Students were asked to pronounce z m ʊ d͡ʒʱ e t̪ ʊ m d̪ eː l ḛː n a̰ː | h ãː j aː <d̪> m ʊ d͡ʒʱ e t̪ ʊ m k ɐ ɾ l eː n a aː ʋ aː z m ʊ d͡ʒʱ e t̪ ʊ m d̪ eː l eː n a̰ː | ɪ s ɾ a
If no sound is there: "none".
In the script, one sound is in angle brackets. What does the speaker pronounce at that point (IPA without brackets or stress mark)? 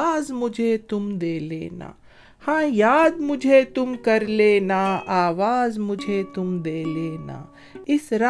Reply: d̪